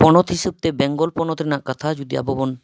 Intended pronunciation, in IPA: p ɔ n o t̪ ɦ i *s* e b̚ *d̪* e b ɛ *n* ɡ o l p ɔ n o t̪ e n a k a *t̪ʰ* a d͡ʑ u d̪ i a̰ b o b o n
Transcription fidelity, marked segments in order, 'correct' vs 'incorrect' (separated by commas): incorrect, incorrect, incorrect, correct